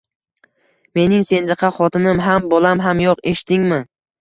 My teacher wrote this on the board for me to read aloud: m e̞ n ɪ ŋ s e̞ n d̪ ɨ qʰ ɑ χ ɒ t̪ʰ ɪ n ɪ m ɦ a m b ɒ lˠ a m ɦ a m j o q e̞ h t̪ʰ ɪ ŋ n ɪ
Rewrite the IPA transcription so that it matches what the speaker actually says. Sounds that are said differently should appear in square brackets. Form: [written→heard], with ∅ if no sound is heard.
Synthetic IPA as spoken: m e̞ n ɪ ŋ s e̞ n d̪ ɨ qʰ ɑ χ ɒ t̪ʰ ɪ n ɪ m ɦ a m b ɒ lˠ a m ɦ a m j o q e̞ [h→ʃ] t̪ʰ ɪ ŋ [n→m] ɪ

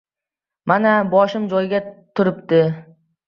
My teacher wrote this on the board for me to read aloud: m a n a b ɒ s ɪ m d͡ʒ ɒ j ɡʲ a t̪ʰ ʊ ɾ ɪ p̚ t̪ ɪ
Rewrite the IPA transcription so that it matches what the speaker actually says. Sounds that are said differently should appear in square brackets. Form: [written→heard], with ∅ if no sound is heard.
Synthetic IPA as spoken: m a n a b ɒ [s→ʃ] ɪ m d͡ʒ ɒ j ɡʲ a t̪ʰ ʊ ɾ ɪ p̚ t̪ ɪ

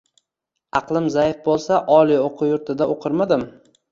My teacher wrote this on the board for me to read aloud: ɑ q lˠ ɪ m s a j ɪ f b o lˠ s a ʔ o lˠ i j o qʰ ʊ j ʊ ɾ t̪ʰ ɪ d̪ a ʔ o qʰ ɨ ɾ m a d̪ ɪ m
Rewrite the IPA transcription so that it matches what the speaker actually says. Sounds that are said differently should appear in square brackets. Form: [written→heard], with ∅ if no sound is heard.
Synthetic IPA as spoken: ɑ q lˠ ɪ m [s→z] a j ɪ f b o lˠ s a ʔ [o→ɒ] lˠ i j o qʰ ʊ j ʊ ɾ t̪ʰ ɪ d̪ a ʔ o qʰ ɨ ɾ m a d̪ ɪ m

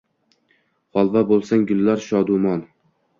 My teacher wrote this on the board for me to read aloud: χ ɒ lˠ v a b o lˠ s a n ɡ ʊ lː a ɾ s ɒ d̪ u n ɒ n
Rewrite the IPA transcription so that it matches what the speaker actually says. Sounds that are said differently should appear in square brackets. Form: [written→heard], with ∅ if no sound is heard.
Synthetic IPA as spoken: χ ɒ lˠ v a b o lˠ s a [n→ŋ] ɡ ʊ lː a ɾ [s→ʃ] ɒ d̪ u [n→m] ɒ n

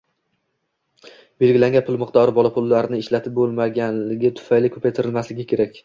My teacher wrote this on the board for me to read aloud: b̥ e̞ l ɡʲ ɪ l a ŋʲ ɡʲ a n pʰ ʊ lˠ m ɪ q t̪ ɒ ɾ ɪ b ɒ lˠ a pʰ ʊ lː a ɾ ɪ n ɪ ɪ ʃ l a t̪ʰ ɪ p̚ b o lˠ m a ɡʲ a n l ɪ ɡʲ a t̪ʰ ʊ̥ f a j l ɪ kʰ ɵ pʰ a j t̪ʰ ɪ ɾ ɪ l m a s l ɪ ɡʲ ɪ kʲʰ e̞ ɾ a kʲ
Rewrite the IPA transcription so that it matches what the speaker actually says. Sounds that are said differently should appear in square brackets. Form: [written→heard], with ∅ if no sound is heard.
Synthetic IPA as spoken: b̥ e̞ l ɡʲ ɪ l a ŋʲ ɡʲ a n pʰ ʊ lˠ m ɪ q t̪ ɒ ɾ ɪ b ɒ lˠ a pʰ ʊ lː a ɾ ɪ n ɪ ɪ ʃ l a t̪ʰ ɪ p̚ b o lˠ m a ɡʲ a n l ɪ ɡʲ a t̪ʰ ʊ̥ f a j l ɪ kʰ ɵ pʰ a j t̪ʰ ɪ ɾ ɪ l m a s l ɪ ɡʲ ɪ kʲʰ e̞ ɾ a kʲ

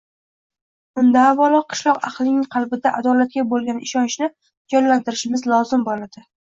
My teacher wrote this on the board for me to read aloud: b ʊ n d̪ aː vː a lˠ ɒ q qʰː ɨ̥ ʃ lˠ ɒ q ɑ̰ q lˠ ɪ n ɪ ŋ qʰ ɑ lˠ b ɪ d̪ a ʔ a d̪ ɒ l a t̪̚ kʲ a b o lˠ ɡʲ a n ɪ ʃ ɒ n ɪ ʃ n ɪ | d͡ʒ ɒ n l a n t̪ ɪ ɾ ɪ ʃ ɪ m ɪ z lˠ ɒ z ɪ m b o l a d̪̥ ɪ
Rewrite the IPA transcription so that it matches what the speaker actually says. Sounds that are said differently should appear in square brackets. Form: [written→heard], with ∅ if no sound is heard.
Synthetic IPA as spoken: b ʊ n d̪ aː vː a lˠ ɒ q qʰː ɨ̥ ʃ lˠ ɒ q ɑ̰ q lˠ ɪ n ɪ ŋ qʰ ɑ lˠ b ɪ d̪ a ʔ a d̪ ɒ l a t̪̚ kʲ a b o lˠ ɡʲ a n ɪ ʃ ɒ n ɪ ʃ n ɪ | d͡ʒ ɒ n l a n t̪ ɪ ɾ ɪ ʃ ɪ m ɪ z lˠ ɒ z ɪ m b o l a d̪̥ ɪ

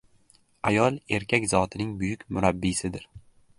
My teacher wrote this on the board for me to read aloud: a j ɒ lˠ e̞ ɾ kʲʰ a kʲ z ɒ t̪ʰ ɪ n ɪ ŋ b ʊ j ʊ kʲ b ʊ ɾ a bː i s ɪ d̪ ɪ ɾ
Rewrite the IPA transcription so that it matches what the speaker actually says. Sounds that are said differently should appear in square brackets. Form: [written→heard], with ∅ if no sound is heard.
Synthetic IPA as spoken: a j ɒ lˠ e̞ ɾ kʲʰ a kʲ z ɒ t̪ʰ ɪ n ɪ ŋ b ʊ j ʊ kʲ [b→m] ʊ ɾ a bː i s ɪ d̪ ɪ ɾ

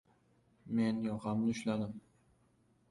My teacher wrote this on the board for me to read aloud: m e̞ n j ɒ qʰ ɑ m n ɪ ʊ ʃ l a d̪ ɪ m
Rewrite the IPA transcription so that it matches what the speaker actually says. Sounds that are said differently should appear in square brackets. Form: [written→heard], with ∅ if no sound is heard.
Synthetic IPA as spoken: m e̞ n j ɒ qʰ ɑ m n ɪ ʊ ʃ l a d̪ ɪ m

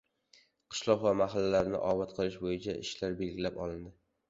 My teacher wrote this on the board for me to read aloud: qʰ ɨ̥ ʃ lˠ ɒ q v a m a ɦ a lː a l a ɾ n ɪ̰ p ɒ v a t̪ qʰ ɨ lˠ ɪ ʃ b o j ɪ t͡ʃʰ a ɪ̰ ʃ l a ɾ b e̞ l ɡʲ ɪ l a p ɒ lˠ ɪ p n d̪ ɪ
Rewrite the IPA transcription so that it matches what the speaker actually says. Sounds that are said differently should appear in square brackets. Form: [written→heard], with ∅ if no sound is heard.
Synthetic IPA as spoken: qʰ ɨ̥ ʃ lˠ ɒ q v a m a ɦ a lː a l a ɾ n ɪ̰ [p→ʔ] ɒ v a t̪ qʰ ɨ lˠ ɪ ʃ b o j ɪ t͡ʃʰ a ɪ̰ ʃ l a ɾ b e̞ l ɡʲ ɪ l a p ɒ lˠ ɪ [p→∅] n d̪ ɪ

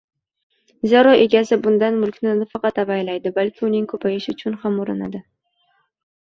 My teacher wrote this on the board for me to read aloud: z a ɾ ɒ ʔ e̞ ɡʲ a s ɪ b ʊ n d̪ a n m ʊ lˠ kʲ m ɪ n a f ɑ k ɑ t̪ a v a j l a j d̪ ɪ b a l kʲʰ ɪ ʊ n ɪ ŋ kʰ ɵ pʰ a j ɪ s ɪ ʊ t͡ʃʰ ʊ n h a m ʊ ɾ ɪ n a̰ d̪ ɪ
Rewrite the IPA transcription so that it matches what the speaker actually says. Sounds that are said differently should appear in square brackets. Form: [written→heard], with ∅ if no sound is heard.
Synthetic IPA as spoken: z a ɾ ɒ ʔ e̞ ɡʲ a s ɪ b ʊ n d̪ a n m ʊ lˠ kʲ [m→n] ɪ n a f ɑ [k→q] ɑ t̪ a v a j l a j d̪ ɪ b a l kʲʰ ɪ ʊ n ɪ ŋ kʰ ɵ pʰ a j ɪ [s→ʃ] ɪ ʊ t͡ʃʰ ʊ n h a m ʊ ɾ ɪ n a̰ d̪ ɪ

